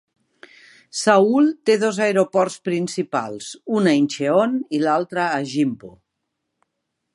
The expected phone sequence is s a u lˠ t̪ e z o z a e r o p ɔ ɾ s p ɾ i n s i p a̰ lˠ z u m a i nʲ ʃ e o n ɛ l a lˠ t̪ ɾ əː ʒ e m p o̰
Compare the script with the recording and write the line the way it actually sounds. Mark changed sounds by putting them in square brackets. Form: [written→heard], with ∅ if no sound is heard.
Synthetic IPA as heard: s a u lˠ t̪ e [z→ð] o z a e [r→ɾ] o p ɔ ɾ s p ɾ i n s i p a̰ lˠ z u [m→n] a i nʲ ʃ e o n [ɛ→i] l a lˠ t̪ ɾ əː ʒ [e→i] m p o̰